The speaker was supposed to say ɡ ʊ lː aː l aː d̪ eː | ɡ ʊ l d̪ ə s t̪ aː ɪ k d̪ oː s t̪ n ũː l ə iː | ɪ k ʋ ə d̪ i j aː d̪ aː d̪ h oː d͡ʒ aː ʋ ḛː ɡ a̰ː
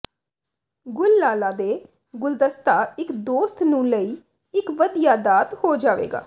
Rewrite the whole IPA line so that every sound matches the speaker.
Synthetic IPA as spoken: ɡ ʊ lː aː l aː d̪ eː | ɡ ʊ l d̪ ə s t̪ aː ɪ k d̪ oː s t̪ n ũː l ə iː | ɪ k ʋ ə d̪ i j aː d̪ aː t̪ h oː d͡ʒ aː ʋ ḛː ɡ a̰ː